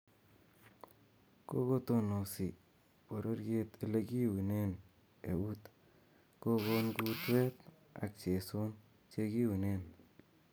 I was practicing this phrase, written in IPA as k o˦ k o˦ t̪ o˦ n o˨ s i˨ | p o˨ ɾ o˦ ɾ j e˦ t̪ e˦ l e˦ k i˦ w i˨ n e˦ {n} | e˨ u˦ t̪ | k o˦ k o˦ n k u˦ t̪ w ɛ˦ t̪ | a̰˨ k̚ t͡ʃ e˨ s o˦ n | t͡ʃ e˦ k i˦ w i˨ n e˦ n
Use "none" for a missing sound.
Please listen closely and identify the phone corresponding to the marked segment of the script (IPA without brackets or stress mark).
n